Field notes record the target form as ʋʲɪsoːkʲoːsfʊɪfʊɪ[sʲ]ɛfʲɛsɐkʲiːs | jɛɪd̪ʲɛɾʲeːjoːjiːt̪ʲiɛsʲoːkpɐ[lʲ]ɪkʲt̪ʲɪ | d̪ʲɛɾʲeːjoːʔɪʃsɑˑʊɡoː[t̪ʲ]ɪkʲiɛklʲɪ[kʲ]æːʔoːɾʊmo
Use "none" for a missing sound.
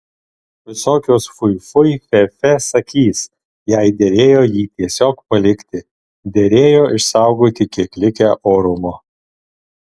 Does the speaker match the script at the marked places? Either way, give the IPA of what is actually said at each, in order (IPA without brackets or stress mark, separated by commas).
fʲ, lʲ, t̪ʲ, kʲ